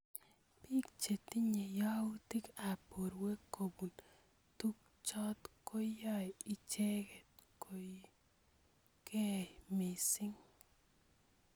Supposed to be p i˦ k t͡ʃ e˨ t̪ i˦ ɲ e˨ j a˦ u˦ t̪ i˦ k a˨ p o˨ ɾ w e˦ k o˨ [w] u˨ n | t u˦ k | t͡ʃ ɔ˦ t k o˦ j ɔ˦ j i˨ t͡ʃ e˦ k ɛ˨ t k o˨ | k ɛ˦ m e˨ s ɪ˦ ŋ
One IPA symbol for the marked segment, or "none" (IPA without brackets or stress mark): b